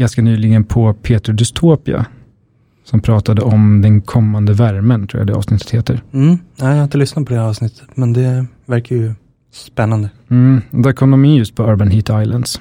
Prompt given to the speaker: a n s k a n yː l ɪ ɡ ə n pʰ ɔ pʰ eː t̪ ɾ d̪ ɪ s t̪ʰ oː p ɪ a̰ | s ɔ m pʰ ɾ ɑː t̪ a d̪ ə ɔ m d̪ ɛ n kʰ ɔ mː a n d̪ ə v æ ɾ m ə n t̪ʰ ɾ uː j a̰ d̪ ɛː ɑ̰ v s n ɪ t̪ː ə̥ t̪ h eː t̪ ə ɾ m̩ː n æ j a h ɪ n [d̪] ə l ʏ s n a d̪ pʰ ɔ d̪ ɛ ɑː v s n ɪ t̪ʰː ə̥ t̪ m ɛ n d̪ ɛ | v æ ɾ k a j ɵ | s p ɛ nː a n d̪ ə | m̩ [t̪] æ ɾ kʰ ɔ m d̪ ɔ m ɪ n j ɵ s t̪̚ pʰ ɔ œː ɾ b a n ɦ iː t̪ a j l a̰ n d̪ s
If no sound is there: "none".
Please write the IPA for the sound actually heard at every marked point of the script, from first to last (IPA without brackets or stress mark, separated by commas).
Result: t̪, d̪